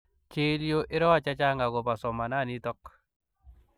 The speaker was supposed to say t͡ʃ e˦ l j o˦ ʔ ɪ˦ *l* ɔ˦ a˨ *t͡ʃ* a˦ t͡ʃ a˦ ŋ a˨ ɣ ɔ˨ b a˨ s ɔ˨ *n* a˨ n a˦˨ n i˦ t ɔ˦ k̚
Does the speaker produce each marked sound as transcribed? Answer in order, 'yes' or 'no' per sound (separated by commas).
no, yes, no